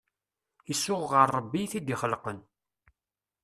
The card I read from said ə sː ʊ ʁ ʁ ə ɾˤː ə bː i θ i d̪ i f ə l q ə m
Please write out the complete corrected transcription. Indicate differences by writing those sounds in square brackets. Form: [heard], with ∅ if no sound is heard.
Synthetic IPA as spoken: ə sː ʊ ʁ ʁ ə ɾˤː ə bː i θ i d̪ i [χ] ə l q ə [n]